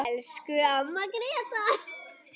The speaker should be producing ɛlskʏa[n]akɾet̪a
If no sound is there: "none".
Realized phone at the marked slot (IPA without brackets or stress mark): m